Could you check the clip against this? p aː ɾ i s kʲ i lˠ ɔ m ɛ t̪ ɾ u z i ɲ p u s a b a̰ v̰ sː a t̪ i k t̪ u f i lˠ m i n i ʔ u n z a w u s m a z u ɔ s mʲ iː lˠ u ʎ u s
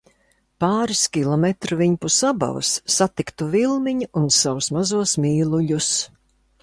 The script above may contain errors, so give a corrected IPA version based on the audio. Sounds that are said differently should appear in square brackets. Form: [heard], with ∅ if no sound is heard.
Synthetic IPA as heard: p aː ɾ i s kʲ i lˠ ɔ m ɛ t̪ ɾ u [v] i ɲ p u s a b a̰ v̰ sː a t̪ i k t̪ u [v] i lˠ m i [ɲ] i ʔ u n [s] a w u s m a z u ɔ s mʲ iː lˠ u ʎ u s